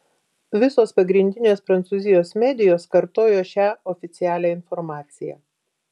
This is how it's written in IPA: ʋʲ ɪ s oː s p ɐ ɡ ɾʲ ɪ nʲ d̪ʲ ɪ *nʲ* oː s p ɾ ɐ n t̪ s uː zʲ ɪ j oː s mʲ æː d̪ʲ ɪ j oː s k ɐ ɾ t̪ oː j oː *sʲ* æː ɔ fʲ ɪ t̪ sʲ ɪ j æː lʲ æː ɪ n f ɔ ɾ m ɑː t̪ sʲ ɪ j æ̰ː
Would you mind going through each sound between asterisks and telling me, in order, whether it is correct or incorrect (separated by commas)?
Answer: correct, incorrect